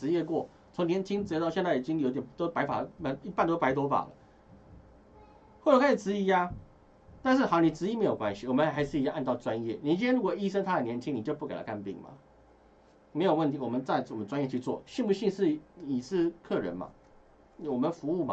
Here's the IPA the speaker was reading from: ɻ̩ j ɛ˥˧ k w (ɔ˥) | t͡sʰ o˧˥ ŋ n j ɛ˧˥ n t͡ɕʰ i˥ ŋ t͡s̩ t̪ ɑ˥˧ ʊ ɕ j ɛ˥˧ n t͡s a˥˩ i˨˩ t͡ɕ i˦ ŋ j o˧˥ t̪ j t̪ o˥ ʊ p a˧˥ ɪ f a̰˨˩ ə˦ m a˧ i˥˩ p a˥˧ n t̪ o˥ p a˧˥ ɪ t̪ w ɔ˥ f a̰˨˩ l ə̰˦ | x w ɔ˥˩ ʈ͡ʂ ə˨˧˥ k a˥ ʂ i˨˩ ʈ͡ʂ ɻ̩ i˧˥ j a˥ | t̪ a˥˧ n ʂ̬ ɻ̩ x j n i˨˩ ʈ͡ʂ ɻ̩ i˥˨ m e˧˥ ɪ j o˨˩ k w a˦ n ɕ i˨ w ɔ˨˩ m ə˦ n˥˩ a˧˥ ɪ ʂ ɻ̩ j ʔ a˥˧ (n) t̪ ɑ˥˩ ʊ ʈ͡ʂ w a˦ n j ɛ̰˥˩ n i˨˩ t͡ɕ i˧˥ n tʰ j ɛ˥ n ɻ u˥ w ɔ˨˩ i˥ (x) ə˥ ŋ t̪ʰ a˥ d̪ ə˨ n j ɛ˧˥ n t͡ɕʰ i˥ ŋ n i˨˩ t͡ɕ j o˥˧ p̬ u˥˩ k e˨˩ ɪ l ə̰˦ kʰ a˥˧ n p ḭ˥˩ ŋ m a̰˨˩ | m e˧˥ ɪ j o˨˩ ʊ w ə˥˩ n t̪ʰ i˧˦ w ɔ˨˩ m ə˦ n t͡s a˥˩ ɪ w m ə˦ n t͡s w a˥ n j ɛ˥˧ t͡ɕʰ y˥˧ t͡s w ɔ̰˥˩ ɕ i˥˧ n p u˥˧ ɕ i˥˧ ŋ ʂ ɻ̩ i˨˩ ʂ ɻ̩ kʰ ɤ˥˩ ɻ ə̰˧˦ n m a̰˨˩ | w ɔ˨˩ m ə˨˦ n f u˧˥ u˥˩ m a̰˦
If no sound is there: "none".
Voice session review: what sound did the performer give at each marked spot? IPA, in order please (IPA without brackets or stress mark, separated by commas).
ɔ˥˩, n, ʂ